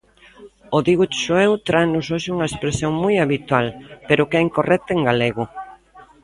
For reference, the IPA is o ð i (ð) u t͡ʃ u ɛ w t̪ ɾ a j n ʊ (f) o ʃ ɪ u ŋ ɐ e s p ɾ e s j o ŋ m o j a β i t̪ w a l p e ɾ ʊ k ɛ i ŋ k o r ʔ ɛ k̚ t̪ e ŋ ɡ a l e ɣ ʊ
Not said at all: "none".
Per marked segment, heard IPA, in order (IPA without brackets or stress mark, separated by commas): ɣ, s